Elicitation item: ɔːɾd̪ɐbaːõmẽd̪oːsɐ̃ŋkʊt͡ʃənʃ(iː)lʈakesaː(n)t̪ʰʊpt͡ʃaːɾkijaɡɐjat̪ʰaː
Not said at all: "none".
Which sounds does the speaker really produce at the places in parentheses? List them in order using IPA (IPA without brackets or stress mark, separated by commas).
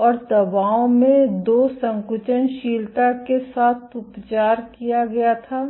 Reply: iː, none